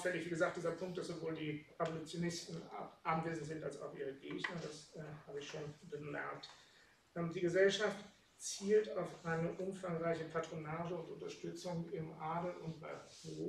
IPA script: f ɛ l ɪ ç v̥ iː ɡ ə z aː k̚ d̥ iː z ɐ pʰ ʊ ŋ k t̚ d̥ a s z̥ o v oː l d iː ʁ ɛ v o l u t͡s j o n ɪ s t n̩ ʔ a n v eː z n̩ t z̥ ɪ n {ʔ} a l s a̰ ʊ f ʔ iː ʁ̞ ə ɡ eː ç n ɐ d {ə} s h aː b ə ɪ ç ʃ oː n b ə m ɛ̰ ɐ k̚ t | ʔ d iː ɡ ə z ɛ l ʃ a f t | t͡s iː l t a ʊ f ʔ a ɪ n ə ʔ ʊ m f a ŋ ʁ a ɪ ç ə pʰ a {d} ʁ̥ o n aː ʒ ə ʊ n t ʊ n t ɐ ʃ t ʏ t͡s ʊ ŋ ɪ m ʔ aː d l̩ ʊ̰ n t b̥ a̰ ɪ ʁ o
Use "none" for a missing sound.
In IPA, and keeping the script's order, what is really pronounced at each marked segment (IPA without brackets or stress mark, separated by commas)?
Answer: t, a, t